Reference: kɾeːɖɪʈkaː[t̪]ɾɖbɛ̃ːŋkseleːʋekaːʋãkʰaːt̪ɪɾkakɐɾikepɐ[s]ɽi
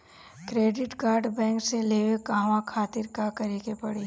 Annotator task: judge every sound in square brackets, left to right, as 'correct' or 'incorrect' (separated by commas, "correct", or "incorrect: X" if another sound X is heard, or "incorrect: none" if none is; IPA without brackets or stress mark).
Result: incorrect: none, incorrect: none